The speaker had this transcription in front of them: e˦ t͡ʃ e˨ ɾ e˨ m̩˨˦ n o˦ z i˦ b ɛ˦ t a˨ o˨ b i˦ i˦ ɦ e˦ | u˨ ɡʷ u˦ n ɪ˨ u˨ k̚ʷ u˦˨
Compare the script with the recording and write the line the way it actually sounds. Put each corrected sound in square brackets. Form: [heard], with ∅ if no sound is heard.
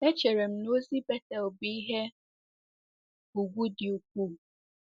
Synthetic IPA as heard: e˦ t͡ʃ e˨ ɾ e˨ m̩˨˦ n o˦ z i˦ b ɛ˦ t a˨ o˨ b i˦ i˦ ɦ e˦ | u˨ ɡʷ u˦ [d] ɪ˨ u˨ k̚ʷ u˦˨